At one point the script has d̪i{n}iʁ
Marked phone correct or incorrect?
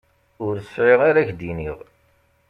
correct